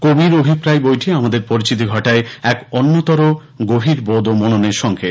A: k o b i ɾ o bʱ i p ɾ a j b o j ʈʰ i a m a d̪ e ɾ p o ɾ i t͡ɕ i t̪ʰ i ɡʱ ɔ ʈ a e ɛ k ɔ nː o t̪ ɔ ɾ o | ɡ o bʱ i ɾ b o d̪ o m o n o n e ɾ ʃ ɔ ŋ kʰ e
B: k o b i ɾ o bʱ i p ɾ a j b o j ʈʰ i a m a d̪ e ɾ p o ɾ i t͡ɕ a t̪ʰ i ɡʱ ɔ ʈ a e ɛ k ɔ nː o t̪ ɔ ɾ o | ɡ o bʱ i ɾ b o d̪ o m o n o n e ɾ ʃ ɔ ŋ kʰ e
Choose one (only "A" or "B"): A